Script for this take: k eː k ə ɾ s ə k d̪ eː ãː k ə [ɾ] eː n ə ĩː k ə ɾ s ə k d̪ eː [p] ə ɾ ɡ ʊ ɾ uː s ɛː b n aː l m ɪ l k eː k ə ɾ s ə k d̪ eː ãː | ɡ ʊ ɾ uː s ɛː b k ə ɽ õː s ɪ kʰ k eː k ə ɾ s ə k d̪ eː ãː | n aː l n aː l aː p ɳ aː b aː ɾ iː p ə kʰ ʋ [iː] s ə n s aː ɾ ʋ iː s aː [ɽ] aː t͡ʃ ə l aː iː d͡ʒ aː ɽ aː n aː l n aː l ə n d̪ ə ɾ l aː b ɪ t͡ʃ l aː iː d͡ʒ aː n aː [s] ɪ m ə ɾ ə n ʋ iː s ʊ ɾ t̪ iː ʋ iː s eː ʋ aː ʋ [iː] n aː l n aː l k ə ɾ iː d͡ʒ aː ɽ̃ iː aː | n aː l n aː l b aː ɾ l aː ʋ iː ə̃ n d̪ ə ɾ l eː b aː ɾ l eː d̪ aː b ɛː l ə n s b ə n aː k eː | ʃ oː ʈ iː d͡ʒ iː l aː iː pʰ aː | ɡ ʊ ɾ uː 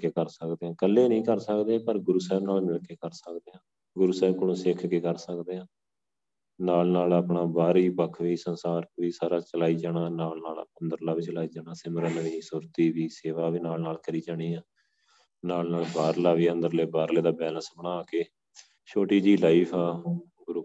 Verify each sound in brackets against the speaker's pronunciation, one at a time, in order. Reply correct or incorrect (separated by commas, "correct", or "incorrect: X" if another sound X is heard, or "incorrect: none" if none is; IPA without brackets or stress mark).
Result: incorrect: l, correct, correct, incorrect: ɾ, correct, correct